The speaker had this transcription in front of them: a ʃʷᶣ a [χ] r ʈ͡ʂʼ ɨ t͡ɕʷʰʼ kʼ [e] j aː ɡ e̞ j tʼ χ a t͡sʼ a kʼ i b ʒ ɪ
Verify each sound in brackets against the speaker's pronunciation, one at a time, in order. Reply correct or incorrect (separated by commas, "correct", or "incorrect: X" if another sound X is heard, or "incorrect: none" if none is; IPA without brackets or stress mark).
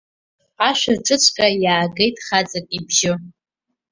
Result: incorrect: none, incorrect: a